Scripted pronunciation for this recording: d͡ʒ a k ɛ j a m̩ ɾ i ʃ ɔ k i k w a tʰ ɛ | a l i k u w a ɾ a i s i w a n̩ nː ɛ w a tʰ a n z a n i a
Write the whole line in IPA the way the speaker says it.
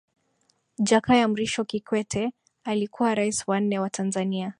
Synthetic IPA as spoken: d͡ʒ a k a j a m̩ ɾ i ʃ ɔ k i k w ɛ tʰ ɛ | a l i k u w a ɾ a i s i w a n̩ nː ɛ w a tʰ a n z a n i a